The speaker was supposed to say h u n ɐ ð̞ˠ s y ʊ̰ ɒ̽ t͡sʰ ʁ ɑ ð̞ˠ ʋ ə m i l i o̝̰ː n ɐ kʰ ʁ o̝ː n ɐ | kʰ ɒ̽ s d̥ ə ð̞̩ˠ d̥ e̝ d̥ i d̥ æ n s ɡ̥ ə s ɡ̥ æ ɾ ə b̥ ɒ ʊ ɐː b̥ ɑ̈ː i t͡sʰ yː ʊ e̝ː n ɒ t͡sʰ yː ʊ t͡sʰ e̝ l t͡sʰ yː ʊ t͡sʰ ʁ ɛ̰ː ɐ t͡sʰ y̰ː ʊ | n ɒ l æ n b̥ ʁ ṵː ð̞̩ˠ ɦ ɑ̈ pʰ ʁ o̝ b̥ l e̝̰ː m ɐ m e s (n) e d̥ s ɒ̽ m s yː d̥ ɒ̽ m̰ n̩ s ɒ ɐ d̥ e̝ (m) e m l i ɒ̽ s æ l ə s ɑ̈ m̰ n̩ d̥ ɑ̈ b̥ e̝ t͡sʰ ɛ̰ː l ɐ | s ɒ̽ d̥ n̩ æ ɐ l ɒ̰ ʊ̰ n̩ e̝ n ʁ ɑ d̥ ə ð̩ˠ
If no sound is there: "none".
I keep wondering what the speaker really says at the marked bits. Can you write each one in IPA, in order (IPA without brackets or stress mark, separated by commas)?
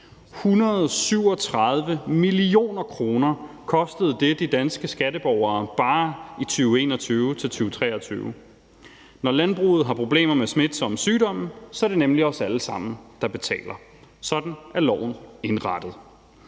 m, n